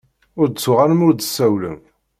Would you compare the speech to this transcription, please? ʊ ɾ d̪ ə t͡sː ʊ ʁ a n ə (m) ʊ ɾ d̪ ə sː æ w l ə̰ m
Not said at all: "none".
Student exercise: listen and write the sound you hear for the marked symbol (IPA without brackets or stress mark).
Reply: m